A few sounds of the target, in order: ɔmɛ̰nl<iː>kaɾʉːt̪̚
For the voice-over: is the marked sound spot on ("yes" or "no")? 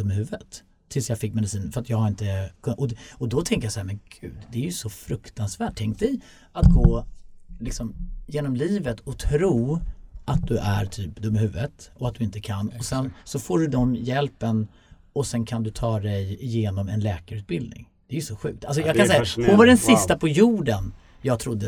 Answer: no